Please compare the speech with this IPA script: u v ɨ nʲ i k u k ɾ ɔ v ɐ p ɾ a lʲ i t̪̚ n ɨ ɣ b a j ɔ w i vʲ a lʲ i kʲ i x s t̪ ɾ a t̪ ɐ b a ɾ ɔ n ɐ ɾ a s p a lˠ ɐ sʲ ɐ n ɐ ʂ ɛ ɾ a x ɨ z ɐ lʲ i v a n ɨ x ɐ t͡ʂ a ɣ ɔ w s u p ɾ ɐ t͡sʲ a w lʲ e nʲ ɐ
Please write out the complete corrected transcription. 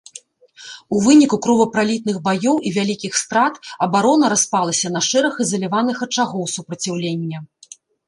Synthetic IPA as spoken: u v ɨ nʲ i k u k ɾ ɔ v ɐ p ɾ a lʲ i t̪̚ n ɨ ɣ b a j ɔ w i vʲ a lʲ i kʲ i x s t̪ ɾ a t̪ ɐ b a ɾ ɔ n ɐ ɾ a s p a lˠ ɐ sʲ ɐ n ɐ ʂ ɛ ɾ ɐ x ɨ z ɐ lʲ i v a n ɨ x ɐ t͡ʂ a ɣ ɔ w s u p ɾ ɐ t͡sʲ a w lʲ e nʲː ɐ